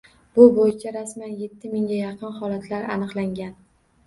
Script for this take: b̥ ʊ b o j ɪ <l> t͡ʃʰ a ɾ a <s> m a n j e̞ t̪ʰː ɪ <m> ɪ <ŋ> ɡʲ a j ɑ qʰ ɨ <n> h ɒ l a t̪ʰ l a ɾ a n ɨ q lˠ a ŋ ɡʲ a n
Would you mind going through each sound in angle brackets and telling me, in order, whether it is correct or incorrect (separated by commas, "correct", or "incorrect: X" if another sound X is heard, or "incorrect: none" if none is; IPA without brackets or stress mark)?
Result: incorrect: none, correct, correct, correct, correct